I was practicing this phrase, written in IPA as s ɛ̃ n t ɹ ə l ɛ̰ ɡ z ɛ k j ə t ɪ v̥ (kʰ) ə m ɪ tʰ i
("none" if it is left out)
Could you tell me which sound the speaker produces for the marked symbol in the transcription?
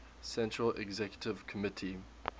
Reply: kʰ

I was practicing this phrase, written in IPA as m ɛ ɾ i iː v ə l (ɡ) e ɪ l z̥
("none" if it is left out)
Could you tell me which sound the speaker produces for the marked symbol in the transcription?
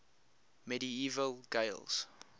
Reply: ɡ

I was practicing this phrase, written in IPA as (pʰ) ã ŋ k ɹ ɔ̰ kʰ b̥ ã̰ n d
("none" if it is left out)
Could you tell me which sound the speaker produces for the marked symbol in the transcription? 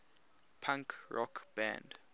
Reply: pʰ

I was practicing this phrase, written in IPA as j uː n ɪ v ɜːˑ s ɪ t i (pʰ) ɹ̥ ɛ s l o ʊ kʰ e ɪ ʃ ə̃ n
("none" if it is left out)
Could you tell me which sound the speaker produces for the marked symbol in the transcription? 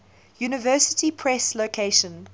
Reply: pʰ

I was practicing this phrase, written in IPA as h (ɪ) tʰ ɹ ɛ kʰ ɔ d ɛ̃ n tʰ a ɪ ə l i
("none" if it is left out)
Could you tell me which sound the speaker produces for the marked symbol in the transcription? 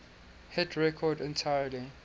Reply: ɪ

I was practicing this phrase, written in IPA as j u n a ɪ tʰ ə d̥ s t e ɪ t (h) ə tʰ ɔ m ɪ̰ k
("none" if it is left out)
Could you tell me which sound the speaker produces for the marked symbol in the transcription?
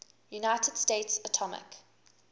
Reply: s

